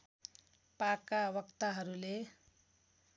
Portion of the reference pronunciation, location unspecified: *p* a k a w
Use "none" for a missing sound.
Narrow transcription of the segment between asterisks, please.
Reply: p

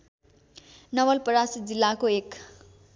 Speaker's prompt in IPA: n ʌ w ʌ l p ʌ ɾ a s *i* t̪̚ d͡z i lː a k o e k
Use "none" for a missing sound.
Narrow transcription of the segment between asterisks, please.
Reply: i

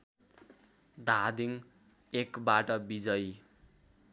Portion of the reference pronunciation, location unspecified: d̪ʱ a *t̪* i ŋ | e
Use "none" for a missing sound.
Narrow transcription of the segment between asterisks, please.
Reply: d̪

